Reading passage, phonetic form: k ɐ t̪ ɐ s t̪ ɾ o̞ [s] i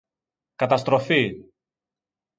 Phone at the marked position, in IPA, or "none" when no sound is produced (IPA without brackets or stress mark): f